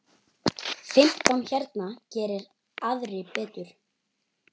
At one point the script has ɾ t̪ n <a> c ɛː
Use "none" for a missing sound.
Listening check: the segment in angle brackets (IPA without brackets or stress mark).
a